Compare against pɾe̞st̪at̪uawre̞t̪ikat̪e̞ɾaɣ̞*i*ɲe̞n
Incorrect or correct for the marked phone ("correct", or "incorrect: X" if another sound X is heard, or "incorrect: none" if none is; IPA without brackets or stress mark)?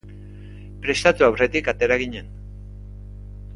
correct